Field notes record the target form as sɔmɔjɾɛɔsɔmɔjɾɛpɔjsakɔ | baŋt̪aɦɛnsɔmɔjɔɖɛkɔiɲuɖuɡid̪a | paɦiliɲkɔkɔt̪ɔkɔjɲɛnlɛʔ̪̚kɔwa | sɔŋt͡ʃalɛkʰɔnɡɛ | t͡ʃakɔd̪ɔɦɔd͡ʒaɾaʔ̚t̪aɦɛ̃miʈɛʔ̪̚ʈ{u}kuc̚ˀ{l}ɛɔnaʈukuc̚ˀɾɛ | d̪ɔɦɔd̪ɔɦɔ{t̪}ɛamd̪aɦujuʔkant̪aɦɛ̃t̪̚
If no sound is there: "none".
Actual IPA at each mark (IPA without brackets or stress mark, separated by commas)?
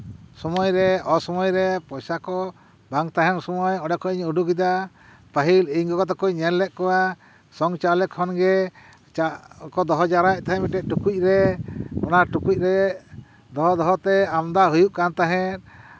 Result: u, ɾ, t̪